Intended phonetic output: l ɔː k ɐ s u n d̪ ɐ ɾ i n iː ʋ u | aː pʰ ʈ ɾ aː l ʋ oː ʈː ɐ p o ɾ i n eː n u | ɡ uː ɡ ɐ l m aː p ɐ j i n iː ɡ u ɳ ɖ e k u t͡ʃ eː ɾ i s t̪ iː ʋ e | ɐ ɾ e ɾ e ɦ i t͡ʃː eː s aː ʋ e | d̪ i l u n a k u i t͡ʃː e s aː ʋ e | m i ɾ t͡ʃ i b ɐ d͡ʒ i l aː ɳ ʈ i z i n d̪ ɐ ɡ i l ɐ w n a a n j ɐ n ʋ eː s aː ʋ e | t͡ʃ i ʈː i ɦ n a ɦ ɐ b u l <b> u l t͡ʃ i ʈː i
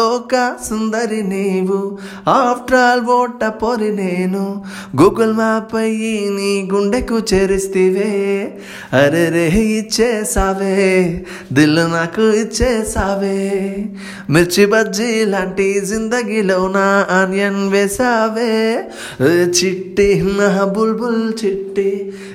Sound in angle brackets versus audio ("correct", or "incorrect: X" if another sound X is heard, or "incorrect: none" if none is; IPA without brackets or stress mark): correct